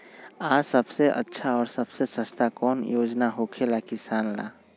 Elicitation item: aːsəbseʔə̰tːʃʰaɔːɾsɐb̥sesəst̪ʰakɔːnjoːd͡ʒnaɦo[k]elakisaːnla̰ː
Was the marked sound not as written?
yes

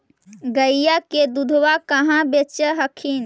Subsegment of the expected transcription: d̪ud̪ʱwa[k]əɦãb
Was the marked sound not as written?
no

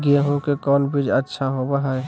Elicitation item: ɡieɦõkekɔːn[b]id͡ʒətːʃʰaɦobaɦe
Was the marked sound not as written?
no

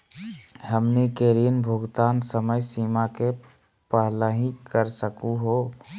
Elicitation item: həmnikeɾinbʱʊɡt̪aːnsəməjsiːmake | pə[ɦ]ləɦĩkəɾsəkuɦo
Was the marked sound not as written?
no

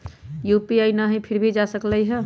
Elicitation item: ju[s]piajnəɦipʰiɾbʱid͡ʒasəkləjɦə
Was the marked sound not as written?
yes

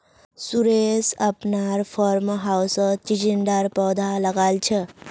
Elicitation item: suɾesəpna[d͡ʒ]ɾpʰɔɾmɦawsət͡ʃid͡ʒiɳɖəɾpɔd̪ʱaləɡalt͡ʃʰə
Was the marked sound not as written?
yes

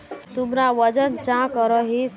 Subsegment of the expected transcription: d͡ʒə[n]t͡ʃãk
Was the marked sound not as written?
no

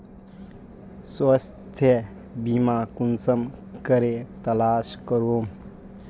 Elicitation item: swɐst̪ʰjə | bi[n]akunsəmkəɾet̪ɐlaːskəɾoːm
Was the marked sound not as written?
yes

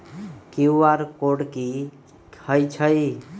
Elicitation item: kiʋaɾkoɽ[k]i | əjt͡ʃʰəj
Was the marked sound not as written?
no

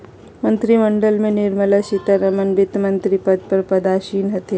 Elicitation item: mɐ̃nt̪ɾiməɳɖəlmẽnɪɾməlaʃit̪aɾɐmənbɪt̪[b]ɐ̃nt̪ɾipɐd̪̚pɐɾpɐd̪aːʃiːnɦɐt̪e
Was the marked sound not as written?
yes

